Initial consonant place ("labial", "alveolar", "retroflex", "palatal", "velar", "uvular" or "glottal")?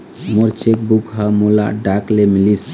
labial